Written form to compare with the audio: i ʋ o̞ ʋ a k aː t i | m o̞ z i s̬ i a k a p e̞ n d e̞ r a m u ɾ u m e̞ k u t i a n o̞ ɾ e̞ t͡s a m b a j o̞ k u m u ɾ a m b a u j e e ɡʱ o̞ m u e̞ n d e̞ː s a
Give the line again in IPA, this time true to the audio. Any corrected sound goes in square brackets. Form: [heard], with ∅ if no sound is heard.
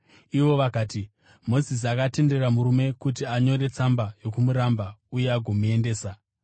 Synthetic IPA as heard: i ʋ o̞ ʋ a k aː t i | m o̞ z i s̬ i a k a [t] e̞ n d e̞ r a m u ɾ u m e̞ k u t i a [ɲ] o̞ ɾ e̞ t͡s a m b a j o̞ k u m u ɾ a m b a u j e [a] ɡʱ o̞ m u e̞ n d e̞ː s a